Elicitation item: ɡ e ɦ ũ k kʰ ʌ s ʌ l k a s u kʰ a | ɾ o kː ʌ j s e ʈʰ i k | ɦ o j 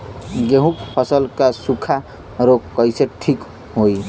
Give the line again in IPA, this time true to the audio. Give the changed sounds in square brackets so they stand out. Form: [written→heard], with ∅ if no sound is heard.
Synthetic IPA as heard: ɡ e ɦ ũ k [kʰ→pʰ] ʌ s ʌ l k a s u kʰ a | ɾ o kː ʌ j s e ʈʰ i k | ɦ o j